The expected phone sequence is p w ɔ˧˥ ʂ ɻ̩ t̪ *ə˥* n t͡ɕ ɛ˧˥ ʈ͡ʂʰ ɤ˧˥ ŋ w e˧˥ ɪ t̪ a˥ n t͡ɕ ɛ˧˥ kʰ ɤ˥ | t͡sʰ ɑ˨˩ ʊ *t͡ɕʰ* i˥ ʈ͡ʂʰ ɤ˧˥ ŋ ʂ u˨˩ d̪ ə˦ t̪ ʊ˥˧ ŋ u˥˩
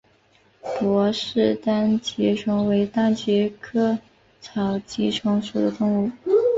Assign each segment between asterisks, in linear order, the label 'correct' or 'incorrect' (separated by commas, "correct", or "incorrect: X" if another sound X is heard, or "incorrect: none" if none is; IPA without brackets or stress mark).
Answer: incorrect: a˥, incorrect: t͡ɕ